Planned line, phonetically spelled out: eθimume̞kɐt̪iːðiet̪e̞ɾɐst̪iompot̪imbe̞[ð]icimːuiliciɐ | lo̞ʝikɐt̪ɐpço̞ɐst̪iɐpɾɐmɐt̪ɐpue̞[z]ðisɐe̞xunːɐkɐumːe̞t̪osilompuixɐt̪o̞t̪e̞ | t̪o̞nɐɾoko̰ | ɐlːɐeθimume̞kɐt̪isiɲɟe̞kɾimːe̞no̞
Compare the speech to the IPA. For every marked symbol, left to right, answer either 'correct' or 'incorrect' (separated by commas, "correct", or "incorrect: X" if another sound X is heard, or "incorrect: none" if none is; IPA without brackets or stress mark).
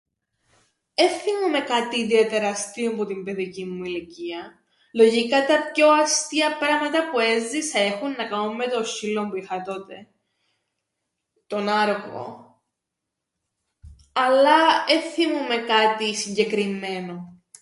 correct, correct